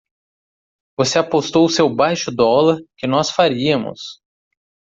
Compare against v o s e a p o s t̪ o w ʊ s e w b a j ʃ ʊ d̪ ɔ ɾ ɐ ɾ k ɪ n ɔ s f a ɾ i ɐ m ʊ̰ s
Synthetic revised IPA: v o s e a p o s t̪ o w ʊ s e w b a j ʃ ʊ d̪ ɔ l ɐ ɾ k ɪ n ɔ s f a ɾ i ɐ m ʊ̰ s